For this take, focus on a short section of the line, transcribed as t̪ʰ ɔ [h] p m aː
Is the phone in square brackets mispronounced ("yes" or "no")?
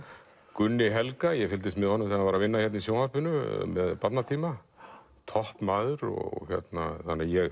no